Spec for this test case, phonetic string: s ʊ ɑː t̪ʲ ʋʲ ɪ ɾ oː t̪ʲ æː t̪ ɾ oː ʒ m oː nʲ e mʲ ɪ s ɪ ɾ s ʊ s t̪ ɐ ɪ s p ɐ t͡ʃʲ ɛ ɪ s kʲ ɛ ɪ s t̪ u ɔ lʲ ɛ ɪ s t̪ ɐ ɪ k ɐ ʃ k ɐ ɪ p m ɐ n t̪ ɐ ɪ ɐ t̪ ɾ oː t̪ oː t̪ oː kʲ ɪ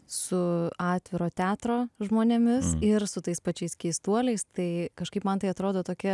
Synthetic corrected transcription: s ʊ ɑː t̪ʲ ʋʲ ɪ ɾ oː t̪ʲ æː t̪ ɾ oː ʒ m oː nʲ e mʲ ɪ s ɪ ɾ s ʊ t̪ ɐ ɪ s p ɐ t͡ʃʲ ɛ ɪ s kʲ ɛ ɪ s t̪ u ɔ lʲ ɛ ɪ s t̪ ɐ ɪ k ɐ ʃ k ɐ ɪ p m ɐ n t̪ ɐ ɪ ɐ t̪ ɾ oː d̪ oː t̪ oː kʲ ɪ